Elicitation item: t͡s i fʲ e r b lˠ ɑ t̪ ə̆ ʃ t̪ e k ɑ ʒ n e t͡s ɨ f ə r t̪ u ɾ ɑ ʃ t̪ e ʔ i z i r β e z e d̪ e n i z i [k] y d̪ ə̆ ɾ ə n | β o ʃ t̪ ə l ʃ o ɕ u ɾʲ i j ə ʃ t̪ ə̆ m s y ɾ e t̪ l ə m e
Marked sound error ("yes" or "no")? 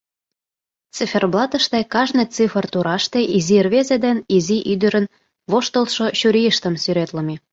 yes